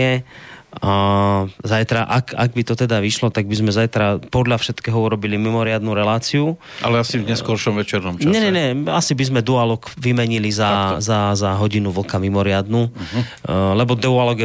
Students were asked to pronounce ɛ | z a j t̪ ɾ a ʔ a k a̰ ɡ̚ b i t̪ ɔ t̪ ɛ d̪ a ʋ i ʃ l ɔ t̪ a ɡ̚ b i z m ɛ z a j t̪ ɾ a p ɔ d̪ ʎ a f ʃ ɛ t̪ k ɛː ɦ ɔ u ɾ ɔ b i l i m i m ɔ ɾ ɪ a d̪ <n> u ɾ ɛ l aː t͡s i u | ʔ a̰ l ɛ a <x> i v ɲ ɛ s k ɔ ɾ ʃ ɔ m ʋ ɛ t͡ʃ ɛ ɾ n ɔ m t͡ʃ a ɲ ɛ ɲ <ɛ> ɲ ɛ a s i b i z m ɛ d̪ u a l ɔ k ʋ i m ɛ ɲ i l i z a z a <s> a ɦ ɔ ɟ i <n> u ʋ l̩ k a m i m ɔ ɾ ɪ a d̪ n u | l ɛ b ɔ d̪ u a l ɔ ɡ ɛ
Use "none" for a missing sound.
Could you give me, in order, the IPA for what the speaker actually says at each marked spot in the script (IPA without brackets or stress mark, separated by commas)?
n, s, ɛ, z, n